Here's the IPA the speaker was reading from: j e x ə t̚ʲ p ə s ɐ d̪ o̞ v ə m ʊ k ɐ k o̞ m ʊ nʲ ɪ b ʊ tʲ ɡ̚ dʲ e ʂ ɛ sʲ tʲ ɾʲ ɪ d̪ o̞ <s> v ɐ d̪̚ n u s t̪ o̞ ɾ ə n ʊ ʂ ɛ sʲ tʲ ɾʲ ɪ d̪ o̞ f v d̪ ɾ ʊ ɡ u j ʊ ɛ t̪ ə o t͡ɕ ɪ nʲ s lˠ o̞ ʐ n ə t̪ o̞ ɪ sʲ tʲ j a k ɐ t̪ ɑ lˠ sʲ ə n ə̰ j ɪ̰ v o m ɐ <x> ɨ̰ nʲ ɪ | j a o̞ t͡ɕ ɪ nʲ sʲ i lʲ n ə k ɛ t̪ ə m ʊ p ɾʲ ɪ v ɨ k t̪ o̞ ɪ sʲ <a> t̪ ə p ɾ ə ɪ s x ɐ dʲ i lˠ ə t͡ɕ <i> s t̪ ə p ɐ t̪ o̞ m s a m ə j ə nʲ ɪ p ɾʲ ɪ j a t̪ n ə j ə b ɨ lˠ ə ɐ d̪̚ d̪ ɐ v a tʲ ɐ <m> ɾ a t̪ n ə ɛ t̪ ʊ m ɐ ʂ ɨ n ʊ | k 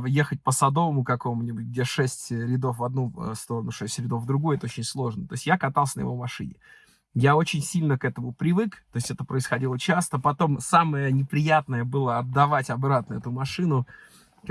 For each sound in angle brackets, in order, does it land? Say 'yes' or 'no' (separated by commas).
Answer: no, no, no, no, no